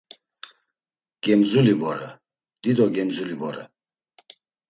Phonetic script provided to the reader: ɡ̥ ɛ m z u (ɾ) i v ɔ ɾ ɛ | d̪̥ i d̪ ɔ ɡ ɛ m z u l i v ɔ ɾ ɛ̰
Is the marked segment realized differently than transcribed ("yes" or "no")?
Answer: yes